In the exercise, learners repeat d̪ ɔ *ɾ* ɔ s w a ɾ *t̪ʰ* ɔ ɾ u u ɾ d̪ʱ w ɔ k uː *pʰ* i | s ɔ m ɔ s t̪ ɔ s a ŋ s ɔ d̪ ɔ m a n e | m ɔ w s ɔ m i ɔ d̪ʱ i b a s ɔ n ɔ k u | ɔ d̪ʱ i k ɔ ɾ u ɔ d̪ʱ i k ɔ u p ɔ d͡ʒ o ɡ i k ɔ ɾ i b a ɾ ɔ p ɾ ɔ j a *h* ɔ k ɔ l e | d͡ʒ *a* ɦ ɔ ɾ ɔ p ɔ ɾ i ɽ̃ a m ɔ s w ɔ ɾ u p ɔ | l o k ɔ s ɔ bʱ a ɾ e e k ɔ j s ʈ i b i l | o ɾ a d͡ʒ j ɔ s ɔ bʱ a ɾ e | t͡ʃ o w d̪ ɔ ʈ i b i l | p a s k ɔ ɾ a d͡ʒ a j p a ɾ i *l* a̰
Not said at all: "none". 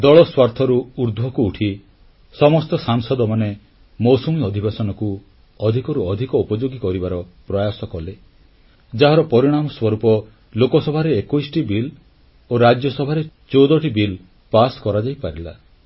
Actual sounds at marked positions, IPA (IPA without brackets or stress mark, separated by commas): ɭ, t̪ʰ, ʈʰ, s, a, l